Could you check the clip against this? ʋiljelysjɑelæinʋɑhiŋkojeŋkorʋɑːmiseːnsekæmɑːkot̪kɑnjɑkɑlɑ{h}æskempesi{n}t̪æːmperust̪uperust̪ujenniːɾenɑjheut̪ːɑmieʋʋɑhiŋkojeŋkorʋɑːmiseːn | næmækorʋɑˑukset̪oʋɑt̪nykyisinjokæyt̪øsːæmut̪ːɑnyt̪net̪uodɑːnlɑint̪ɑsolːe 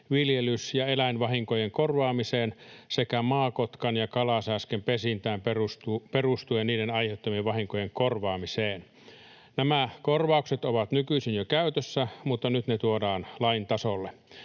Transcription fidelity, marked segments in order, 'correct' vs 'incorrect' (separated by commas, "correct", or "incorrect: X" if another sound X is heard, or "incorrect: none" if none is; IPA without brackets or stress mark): incorrect: s, correct